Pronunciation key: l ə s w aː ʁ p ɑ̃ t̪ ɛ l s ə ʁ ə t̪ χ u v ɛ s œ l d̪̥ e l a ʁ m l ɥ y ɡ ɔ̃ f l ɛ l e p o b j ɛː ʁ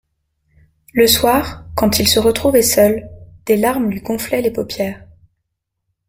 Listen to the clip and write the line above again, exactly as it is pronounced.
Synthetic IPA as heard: l ə s w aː ʁ k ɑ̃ t̪ i l s ə ʁ ə t̪ χ u v ɛ s œ l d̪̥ e l a ʁ m l ɥ i ɡ ɔ̃ f l ɛ l e p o p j ɛː ʁ